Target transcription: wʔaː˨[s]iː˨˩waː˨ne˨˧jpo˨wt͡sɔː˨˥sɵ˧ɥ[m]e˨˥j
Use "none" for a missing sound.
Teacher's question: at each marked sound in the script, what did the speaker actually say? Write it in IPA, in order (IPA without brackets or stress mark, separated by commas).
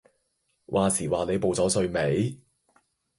s, m